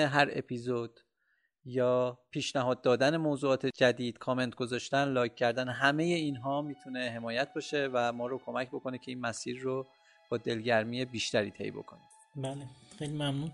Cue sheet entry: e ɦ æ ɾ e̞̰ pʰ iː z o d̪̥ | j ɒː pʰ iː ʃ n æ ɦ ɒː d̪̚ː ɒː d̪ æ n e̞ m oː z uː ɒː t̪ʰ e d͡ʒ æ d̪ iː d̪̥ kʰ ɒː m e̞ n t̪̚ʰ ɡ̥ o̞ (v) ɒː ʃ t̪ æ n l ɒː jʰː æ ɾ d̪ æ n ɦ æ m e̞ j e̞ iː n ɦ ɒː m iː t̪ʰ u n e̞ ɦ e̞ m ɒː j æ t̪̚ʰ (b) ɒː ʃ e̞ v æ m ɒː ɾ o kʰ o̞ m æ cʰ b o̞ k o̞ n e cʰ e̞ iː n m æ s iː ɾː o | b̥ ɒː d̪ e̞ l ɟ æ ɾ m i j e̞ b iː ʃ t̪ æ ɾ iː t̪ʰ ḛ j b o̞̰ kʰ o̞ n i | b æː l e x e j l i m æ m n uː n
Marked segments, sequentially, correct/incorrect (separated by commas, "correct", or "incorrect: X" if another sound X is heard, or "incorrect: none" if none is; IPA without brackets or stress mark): incorrect: z, correct